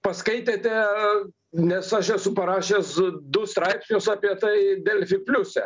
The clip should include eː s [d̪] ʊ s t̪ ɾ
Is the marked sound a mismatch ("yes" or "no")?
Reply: no